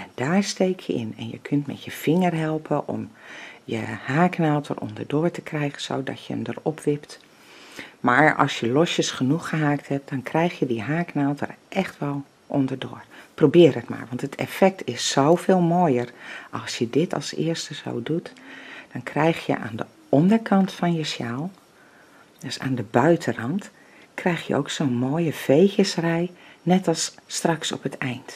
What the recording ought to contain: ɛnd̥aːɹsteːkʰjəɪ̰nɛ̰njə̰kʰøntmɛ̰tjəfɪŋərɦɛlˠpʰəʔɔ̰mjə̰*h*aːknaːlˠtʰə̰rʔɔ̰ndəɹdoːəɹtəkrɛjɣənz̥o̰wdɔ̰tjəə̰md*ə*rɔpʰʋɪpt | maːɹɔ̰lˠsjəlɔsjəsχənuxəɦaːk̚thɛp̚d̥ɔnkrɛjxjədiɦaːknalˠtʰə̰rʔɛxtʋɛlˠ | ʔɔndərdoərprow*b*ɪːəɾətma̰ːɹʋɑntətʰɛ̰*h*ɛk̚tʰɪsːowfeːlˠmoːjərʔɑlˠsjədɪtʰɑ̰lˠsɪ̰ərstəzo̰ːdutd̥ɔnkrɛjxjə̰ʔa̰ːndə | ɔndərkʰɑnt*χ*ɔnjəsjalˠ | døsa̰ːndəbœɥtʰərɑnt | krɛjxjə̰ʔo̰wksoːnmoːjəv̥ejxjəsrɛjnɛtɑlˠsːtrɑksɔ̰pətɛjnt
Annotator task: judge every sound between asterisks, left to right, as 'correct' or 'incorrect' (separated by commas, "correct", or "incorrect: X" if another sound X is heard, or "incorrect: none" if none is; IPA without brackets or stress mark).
correct, correct, correct, incorrect: f, incorrect: f